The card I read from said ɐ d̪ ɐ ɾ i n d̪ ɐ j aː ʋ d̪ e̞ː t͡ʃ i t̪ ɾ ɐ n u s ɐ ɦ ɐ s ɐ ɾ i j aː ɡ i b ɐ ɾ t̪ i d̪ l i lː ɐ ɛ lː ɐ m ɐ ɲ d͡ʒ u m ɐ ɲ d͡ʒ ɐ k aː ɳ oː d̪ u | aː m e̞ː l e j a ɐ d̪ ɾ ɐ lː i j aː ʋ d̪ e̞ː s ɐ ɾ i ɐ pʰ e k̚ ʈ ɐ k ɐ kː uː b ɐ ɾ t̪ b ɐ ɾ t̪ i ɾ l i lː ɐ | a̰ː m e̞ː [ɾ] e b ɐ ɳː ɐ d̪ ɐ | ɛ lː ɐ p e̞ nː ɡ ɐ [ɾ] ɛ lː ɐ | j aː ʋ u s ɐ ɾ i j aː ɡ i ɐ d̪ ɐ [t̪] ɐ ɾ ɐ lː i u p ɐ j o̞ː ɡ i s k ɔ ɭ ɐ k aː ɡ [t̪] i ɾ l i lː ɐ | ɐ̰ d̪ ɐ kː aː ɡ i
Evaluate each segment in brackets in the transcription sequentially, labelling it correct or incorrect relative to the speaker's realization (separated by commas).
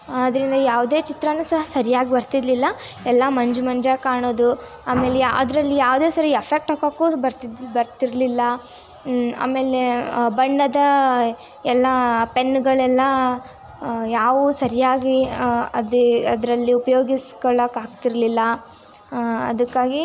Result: incorrect, incorrect, incorrect, correct